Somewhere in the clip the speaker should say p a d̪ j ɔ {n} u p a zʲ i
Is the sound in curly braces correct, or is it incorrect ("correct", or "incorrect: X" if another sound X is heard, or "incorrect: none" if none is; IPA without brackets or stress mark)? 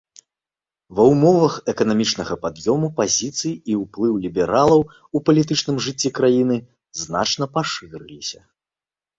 incorrect: m